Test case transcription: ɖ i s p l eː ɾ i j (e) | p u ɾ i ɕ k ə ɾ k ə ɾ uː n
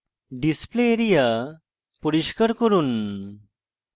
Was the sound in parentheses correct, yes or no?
no